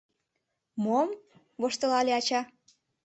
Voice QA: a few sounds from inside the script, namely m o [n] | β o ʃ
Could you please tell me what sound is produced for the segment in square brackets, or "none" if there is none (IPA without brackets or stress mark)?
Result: m